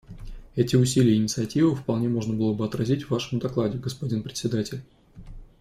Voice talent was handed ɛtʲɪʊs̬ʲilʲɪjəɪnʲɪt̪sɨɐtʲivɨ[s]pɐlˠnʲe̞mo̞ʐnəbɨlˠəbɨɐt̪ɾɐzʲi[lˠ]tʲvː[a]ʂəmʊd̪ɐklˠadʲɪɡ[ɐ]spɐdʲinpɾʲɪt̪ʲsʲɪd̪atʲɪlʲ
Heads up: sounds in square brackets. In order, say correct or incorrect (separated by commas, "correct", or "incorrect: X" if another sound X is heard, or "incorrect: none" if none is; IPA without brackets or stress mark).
incorrect: f, incorrect: none, correct, incorrect: ə